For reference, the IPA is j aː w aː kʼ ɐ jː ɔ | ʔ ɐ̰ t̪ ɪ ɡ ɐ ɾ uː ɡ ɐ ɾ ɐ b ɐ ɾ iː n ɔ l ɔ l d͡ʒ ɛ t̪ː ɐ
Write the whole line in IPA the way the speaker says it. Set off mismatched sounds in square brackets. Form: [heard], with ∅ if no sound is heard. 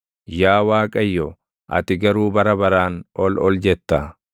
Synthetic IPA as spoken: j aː w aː kʼ ɐ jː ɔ | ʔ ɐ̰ t̪ ɪ ɡ ɐ ɾ uː [b] ɐ ɾ ɐ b ɐ ɾ [aː] n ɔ l ɔ l d͡ʒ ɛ t̪ː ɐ